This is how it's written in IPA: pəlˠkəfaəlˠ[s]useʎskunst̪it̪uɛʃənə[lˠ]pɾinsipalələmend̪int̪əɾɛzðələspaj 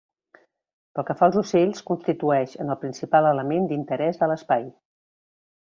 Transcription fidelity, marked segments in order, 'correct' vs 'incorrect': incorrect, correct

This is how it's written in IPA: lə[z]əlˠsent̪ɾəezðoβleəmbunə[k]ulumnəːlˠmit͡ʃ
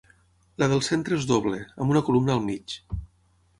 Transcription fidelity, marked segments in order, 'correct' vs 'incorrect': incorrect, correct

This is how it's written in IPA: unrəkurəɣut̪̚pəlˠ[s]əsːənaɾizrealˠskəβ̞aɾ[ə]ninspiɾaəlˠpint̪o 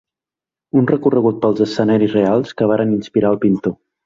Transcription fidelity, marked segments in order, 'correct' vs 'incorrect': incorrect, correct

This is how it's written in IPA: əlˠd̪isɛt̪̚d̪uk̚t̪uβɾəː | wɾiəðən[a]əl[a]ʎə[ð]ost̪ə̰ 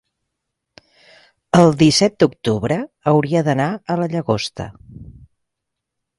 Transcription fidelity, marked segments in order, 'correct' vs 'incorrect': correct, incorrect, incorrect

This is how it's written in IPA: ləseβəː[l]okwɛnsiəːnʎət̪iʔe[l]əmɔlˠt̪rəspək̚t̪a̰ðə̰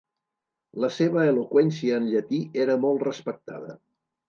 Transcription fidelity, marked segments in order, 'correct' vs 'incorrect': correct, incorrect

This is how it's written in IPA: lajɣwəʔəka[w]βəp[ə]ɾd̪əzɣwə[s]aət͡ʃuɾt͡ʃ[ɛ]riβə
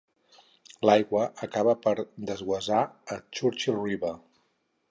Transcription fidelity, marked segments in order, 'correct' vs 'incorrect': incorrect, correct, incorrect, incorrect

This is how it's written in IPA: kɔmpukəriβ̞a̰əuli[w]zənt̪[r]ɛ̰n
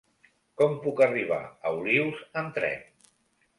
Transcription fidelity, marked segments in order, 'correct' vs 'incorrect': correct, incorrect

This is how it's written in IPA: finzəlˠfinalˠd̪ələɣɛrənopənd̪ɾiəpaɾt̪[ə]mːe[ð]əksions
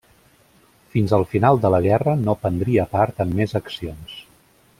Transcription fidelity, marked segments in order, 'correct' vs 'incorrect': correct, incorrect

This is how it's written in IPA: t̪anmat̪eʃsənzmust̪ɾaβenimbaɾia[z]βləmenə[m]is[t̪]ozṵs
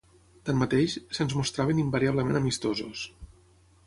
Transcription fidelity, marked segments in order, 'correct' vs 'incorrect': incorrect, correct, correct

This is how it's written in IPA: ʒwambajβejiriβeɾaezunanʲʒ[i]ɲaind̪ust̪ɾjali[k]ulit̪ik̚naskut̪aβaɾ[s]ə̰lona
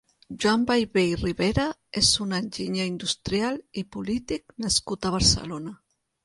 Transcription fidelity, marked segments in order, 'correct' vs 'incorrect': correct, incorrect, correct

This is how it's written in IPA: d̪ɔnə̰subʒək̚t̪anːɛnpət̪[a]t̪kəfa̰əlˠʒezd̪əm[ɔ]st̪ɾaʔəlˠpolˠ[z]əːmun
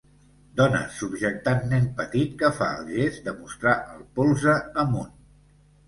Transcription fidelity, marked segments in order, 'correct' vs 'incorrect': incorrect, incorrect, correct

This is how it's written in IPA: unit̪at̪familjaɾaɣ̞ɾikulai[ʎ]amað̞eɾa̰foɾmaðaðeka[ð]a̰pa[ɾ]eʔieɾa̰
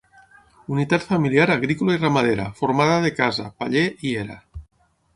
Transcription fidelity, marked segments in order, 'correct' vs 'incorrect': incorrect, incorrect, incorrect

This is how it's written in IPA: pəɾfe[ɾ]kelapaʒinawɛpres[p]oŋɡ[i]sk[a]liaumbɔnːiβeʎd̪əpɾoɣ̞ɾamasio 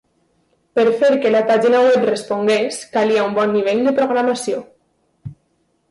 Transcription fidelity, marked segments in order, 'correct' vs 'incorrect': correct, correct, incorrect, correct

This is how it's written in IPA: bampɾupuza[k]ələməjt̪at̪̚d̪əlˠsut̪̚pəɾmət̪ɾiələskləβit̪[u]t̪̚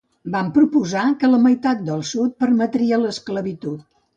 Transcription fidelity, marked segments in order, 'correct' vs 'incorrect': correct, correct

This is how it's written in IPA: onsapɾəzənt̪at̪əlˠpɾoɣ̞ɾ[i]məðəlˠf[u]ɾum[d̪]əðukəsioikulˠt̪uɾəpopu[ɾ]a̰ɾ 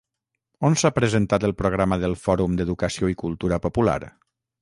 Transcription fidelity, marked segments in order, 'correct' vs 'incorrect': incorrect, incorrect, correct, incorrect

